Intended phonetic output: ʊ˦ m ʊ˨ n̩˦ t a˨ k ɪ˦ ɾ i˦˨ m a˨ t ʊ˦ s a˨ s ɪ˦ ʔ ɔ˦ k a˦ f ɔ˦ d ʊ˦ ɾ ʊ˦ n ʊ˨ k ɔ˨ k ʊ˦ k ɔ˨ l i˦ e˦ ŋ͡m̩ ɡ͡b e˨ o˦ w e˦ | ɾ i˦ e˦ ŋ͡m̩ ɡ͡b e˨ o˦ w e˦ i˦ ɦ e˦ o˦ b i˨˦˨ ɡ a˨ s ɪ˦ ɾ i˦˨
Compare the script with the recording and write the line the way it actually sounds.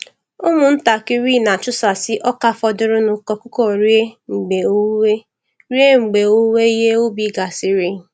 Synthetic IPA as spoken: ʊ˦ m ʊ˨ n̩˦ t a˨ k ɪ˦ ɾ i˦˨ n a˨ t͡ʃ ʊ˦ s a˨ s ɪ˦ ʔ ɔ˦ k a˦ f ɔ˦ d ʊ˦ ɾ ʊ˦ n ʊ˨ k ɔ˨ k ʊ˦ k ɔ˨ ɾ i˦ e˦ ŋ͡m̩ ɡ͡b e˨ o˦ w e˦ | ɾ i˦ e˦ ŋ͡m̩ ɡ͡b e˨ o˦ w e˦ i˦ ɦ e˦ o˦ b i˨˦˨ ɡ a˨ s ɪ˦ ɾ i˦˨